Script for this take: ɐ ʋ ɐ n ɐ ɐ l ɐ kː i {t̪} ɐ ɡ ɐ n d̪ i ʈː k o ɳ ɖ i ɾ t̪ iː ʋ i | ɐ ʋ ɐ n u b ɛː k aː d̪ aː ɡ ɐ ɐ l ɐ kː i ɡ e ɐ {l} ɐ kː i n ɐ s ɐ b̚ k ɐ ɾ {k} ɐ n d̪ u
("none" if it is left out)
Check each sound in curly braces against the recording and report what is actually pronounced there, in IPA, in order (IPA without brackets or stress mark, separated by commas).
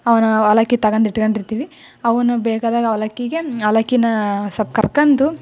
t̪, l, k